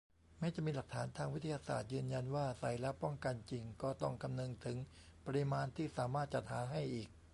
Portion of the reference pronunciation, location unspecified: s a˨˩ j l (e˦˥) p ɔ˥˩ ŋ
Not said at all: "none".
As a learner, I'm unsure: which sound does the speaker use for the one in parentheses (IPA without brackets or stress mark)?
ɛ˦˥